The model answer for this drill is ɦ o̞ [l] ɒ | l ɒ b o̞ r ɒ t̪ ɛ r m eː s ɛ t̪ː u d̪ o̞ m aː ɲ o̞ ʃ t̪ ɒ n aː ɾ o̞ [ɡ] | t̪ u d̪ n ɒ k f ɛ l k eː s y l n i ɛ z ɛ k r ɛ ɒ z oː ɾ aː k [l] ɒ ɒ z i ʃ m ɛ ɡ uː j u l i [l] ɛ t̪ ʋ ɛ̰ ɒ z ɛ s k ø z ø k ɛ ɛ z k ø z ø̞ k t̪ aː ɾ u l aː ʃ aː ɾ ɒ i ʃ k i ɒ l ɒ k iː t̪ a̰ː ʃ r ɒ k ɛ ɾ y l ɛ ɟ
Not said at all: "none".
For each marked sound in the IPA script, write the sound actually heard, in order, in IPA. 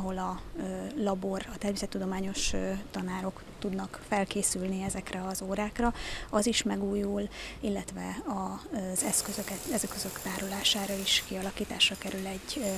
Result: l, k, r, lː

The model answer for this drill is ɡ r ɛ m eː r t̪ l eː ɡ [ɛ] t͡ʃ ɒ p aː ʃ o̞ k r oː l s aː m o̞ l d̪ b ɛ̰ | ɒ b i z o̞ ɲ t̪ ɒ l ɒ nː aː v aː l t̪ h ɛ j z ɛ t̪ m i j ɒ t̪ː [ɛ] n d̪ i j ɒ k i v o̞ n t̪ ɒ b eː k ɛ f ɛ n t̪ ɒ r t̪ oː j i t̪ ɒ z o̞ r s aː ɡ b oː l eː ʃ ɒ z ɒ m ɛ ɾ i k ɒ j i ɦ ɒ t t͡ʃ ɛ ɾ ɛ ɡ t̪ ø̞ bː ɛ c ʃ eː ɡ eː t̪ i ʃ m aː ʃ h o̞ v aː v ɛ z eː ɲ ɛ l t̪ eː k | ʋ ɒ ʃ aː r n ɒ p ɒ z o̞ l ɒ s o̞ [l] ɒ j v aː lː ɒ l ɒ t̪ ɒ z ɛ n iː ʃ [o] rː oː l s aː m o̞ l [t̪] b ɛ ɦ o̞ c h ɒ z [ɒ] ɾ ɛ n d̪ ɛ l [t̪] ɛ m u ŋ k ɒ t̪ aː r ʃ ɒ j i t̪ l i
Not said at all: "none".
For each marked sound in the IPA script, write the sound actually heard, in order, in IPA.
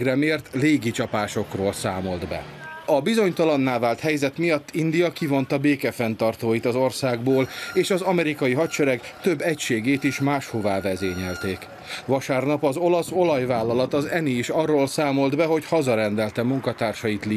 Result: i, i, l, ɒ, d̪, ɒ, t̪

